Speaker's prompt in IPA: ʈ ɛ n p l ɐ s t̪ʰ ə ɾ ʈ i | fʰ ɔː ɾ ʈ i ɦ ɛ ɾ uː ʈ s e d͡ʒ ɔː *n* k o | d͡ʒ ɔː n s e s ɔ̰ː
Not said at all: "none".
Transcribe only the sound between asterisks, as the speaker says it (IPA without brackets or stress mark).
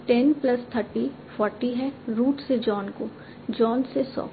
n